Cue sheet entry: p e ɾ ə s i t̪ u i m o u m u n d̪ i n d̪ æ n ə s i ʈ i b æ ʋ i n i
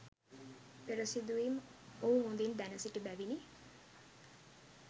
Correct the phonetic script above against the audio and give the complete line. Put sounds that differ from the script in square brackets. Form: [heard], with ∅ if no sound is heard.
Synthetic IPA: p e ɾ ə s i [d̪] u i m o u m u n d̪ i n d̪ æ n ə s i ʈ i b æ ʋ i n i